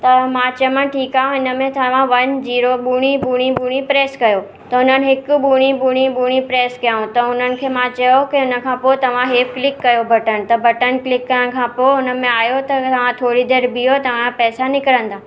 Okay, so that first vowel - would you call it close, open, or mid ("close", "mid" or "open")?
open